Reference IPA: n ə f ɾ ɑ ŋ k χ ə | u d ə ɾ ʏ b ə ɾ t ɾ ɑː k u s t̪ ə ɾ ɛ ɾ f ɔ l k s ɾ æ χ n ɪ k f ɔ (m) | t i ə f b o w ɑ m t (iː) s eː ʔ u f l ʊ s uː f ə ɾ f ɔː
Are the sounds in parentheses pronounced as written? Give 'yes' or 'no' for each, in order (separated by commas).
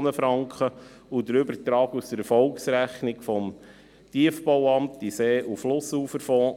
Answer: yes, no